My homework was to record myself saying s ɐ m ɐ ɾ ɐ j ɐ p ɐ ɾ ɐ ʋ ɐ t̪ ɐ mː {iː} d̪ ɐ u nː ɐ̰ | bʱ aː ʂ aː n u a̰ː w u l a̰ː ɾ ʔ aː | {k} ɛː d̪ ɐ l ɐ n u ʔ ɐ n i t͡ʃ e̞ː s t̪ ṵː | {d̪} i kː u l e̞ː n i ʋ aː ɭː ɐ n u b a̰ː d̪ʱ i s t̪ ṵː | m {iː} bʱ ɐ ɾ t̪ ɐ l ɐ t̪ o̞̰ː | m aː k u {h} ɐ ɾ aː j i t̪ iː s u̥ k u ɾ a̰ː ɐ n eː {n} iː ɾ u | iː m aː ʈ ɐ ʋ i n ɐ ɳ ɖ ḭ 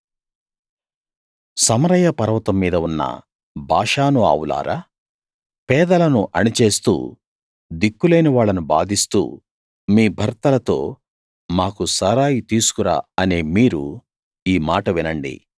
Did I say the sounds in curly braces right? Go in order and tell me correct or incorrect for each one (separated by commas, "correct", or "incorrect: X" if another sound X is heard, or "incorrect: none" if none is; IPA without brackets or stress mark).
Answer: correct, incorrect: p, correct, correct, incorrect: s, incorrect: m